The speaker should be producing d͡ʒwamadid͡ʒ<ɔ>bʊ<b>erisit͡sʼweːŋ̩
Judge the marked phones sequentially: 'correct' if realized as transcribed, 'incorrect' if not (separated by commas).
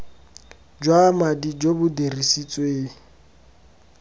incorrect, incorrect